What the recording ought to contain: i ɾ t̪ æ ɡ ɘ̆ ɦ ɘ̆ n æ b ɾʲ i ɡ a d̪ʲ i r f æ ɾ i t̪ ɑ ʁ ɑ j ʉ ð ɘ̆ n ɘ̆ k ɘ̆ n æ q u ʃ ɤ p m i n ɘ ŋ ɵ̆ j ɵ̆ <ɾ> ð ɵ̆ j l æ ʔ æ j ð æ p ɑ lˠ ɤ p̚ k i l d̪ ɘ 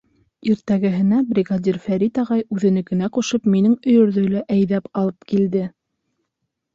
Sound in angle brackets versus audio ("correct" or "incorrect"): correct